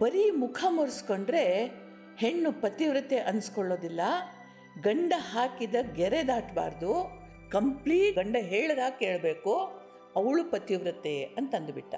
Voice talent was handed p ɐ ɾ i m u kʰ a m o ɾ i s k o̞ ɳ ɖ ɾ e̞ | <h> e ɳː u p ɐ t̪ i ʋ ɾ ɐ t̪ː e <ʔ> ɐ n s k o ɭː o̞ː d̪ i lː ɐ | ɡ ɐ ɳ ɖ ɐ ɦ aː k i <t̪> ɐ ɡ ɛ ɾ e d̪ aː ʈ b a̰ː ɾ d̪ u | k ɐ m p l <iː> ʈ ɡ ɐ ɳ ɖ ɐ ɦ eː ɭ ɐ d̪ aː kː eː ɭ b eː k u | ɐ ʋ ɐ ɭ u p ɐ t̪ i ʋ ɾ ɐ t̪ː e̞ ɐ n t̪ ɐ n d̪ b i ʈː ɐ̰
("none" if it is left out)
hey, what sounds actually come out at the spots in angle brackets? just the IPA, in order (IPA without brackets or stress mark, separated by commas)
h, ʔ, d̪, iː